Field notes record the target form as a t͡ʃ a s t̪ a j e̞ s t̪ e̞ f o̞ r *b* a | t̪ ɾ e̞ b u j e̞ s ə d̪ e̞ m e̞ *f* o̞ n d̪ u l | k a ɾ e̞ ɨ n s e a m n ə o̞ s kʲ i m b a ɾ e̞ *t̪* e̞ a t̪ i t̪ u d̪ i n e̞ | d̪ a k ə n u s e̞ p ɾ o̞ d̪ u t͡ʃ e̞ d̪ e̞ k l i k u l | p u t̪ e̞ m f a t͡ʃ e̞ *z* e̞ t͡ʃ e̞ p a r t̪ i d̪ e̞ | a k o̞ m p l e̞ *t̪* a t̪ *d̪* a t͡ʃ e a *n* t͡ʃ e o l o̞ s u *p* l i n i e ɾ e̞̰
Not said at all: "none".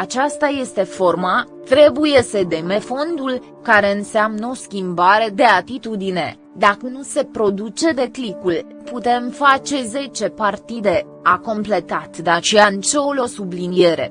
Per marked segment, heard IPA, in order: m, f, d̪, z, t̪, d̪, n, b

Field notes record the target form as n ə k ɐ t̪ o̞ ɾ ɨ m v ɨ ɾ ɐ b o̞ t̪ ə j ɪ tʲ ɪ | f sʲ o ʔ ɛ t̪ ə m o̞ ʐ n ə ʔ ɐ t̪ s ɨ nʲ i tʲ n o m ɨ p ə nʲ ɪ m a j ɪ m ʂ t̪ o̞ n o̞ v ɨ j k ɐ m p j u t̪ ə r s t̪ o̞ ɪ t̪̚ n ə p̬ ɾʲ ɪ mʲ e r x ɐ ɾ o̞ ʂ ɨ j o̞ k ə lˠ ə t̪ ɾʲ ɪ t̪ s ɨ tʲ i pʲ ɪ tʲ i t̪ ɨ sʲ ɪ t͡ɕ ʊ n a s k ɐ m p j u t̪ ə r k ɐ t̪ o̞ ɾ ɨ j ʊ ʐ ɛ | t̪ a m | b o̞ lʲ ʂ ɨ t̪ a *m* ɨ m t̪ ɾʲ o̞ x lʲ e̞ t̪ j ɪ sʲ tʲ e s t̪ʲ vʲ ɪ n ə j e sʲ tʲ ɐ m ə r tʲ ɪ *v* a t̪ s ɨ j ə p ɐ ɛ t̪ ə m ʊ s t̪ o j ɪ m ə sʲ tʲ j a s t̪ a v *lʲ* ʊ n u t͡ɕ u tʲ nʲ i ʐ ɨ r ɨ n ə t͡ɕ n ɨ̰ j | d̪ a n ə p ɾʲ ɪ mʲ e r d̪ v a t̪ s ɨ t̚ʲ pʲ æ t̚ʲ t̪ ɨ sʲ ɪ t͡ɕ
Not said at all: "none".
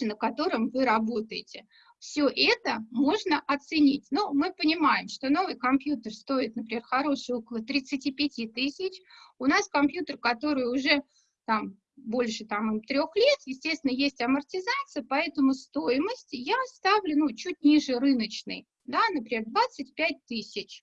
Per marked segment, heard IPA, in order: m, z, lʲ

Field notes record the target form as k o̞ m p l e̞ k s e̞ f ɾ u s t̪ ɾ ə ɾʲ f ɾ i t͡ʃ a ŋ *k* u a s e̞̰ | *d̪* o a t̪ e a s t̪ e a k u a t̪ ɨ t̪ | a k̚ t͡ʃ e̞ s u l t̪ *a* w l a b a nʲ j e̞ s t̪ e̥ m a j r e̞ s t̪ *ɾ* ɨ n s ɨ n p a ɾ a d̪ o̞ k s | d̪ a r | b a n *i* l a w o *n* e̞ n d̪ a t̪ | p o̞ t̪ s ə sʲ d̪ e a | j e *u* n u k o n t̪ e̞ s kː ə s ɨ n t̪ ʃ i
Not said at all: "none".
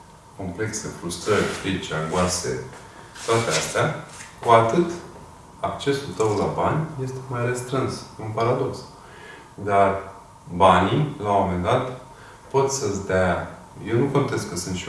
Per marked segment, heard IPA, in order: ɡ, t̪, ə, ɾ, i, m, w

